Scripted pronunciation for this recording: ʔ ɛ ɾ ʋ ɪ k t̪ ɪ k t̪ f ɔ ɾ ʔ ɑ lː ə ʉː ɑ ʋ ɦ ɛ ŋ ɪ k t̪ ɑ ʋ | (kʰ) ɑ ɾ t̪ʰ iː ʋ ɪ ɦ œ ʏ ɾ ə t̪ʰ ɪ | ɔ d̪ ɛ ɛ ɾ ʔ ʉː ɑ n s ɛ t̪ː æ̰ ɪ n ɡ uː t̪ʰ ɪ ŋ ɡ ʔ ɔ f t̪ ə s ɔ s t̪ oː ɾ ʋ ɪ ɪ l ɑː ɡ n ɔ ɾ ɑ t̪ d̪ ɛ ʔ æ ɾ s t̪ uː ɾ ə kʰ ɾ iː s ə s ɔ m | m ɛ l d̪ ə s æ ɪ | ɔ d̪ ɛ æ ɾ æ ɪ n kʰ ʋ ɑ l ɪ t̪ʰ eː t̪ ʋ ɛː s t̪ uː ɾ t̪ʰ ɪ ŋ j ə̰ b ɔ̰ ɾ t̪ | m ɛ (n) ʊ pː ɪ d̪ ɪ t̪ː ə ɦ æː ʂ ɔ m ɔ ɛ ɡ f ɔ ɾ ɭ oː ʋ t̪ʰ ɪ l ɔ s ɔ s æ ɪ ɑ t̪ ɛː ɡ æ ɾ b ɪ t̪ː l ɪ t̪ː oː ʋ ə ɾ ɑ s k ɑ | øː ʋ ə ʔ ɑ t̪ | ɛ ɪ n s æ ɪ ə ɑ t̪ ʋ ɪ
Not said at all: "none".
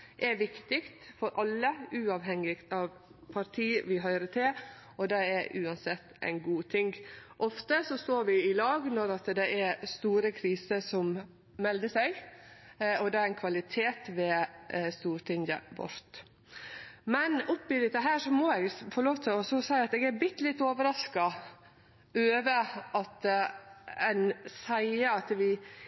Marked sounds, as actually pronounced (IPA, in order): pʰ, n

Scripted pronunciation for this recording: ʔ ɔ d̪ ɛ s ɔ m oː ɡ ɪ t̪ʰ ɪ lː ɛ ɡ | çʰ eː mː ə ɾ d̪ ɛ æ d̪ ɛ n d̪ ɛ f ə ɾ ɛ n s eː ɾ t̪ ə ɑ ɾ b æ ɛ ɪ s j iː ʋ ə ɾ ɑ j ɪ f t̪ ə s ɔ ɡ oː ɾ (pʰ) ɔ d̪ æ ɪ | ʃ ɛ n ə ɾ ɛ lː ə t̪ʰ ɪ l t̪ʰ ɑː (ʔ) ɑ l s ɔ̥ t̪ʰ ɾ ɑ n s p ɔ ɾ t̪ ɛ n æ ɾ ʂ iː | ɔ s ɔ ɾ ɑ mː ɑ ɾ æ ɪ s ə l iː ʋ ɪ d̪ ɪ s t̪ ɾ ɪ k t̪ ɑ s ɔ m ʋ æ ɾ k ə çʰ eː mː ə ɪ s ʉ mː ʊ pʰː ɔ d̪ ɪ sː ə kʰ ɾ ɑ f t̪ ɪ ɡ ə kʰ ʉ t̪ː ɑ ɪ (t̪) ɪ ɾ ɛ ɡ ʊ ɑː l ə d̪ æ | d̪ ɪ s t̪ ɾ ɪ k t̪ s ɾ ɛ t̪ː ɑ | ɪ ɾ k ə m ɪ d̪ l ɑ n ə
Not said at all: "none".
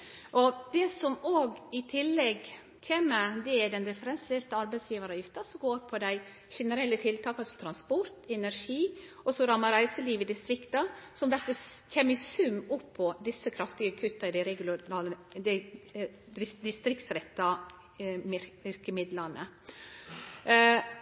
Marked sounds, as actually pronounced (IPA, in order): pʰ, k, d̪

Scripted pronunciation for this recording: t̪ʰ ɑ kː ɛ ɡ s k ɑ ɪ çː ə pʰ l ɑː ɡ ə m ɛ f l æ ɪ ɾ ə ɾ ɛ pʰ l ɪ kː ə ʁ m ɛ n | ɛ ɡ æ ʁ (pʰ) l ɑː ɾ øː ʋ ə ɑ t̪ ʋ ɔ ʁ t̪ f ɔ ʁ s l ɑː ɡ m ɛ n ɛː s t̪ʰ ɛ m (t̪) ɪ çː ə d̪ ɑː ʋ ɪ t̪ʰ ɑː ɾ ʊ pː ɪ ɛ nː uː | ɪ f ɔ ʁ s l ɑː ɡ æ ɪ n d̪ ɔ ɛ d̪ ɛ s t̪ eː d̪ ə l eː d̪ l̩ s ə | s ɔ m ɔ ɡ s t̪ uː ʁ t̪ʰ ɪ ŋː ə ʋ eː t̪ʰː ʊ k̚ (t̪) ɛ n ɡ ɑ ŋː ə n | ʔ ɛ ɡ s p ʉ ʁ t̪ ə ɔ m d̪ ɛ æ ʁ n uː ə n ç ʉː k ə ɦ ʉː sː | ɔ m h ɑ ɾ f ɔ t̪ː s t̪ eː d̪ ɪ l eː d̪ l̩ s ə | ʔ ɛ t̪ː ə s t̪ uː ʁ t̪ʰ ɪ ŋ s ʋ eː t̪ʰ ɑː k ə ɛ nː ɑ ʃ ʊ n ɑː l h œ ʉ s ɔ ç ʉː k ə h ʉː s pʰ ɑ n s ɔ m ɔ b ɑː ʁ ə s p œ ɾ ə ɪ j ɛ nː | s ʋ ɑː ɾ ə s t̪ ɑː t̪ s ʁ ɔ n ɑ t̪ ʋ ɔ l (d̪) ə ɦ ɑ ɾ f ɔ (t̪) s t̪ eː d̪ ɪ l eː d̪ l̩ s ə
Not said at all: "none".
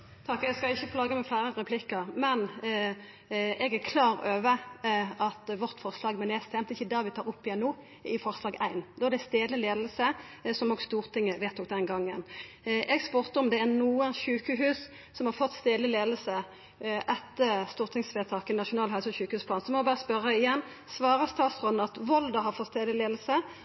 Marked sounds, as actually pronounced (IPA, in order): kʰ, t̪, d̪, d̪, t̪

